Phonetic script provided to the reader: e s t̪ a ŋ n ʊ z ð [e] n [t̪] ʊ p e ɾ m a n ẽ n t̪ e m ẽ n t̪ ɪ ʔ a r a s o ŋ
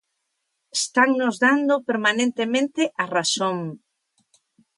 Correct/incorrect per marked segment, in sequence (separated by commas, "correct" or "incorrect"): incorrect, incorrect